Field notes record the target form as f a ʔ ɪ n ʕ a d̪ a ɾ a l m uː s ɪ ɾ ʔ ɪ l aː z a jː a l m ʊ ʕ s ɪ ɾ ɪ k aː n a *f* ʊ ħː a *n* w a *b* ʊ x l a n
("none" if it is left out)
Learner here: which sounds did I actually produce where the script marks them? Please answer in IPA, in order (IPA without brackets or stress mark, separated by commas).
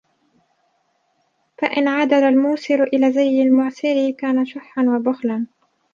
ʃ, n, b